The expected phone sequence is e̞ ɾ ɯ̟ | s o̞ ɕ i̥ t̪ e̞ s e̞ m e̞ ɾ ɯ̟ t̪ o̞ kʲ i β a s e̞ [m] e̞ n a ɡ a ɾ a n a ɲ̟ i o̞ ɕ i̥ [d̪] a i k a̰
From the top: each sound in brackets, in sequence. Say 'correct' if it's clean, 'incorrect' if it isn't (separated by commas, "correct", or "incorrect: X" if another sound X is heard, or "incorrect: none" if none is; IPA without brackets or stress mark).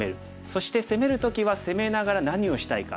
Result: correct, incorrect: t̪